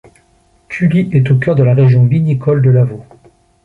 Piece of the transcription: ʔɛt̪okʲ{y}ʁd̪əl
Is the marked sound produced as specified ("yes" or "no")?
no